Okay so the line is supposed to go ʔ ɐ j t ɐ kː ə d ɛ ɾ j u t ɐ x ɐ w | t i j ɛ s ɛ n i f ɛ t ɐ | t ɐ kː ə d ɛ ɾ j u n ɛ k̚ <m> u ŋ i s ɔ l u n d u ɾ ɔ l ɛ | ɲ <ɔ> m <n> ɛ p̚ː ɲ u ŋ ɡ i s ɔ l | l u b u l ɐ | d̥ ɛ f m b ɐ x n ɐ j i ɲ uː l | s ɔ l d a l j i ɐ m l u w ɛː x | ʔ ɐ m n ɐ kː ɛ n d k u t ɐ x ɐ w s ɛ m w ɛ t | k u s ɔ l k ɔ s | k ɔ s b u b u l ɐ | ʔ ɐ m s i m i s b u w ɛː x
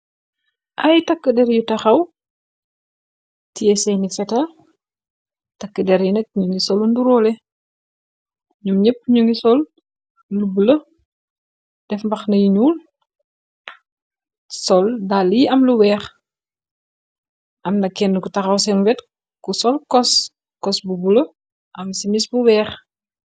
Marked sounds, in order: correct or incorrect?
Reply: incorrect, incorrect, incorrect

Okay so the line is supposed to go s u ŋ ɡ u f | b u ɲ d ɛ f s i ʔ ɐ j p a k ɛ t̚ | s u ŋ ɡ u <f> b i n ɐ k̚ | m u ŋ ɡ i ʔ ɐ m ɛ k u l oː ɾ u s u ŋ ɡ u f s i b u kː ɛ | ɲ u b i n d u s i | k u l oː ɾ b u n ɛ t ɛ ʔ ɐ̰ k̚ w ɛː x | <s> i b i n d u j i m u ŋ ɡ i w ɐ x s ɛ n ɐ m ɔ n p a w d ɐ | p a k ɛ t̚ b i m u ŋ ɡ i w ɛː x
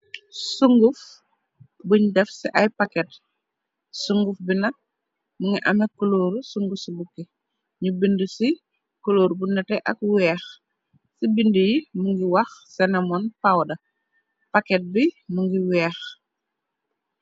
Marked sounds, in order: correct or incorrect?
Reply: correct, correct

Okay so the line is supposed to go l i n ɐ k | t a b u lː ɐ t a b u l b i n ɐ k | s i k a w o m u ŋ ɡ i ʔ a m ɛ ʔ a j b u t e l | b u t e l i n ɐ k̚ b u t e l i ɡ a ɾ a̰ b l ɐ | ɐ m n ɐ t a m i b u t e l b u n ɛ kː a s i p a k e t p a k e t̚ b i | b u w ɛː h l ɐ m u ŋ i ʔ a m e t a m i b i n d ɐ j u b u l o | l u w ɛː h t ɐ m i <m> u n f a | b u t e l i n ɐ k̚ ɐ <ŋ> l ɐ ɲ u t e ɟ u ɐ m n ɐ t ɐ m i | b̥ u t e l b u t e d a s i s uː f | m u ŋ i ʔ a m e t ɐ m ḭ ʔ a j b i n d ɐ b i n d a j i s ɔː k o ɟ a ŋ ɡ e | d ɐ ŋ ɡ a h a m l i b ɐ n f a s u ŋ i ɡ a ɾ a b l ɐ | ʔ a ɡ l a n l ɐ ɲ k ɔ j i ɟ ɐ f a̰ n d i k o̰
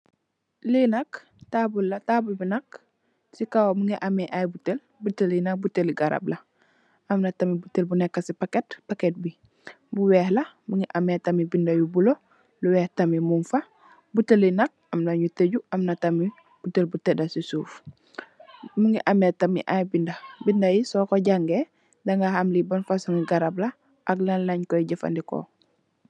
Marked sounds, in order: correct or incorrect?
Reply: correct, incorrect

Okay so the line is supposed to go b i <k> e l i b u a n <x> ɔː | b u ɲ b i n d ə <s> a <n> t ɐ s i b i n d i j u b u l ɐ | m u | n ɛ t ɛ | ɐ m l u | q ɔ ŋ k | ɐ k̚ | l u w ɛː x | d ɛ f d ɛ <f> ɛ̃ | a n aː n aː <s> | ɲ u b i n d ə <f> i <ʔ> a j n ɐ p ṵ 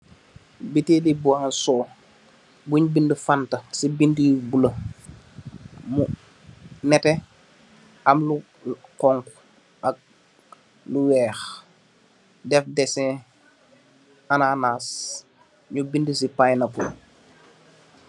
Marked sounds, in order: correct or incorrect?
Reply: incorrect, incorrect, incorrect, correct, incorrect, correct, incorrect, incorrect

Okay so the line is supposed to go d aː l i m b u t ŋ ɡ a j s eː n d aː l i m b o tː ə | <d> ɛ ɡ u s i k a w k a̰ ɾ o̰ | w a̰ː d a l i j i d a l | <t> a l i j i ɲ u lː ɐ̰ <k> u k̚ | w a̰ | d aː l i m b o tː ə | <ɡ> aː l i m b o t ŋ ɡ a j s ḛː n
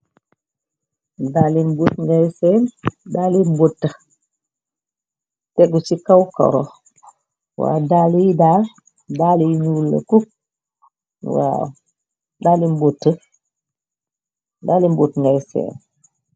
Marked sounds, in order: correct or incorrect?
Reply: incorrect, incorrect, correct, incorrect

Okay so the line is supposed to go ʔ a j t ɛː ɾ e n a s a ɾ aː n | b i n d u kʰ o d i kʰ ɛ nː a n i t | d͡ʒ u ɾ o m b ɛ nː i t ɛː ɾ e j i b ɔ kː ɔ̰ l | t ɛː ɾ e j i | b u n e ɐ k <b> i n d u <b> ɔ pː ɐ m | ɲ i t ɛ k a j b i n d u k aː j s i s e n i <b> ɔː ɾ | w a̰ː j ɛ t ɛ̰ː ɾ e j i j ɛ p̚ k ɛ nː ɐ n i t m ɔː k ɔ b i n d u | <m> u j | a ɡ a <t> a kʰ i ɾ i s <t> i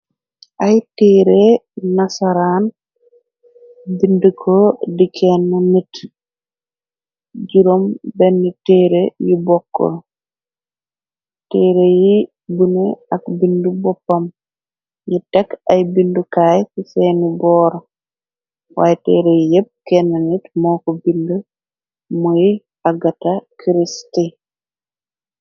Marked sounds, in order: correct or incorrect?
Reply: correct, correct, correct, correct, correct, correct

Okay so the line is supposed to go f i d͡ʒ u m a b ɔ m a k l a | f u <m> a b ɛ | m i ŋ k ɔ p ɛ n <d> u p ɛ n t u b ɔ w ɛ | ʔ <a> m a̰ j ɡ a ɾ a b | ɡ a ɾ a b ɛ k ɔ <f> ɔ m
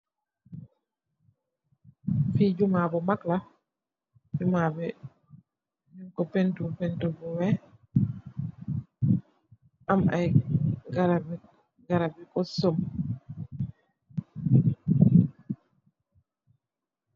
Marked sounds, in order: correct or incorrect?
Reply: correct, incorrect, correct, incorrect

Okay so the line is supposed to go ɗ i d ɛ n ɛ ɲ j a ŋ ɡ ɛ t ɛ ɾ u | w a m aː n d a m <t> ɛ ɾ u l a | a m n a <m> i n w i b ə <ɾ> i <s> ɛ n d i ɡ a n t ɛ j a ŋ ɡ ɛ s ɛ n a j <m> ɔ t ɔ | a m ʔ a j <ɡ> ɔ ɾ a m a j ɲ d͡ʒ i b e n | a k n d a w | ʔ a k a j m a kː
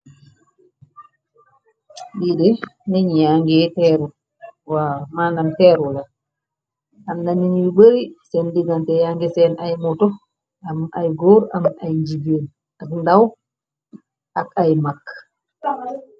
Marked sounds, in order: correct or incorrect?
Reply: correct, incorrect, correct, correct, correct, correct

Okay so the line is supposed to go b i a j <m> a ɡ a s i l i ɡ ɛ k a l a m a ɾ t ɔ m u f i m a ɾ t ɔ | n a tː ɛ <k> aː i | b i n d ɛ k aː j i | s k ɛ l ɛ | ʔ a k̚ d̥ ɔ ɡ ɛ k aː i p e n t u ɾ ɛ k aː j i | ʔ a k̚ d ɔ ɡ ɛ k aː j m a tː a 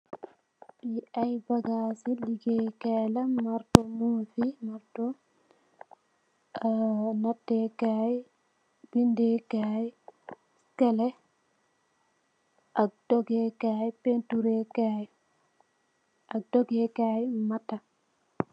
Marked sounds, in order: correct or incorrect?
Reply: incorrect, correct

